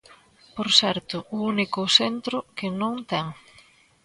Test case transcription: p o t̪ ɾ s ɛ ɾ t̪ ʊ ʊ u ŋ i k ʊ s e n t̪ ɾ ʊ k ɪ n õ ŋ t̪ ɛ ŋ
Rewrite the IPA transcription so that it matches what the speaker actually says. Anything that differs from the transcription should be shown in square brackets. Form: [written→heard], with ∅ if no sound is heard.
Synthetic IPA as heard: p o [t̪→∅] ɾ s ɛ ɾ t̪ ʊ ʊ u [ŋ→n] i k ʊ s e n t̪ ɾ ʊ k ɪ n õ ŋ t̪ ɛ ŋ